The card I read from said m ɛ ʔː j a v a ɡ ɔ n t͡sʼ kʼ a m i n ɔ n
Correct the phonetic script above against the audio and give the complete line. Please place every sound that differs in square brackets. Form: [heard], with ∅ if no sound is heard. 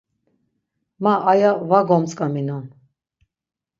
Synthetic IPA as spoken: m [a] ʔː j a v a ɡ ɔ [m] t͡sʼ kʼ a m i n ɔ n